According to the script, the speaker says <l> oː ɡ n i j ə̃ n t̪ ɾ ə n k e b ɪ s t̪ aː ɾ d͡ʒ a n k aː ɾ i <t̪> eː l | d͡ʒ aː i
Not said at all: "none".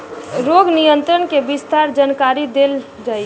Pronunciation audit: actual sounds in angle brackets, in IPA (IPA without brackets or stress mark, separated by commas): ɾ, d̪